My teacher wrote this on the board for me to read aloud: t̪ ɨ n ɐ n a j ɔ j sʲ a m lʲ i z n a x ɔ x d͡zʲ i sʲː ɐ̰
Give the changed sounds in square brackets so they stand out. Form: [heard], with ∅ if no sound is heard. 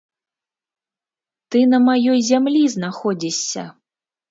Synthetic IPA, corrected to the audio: t̪ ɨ n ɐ [m] a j ɔ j [zʲ] a m lʲ i z n a x ɔ [∅] d͡zʲ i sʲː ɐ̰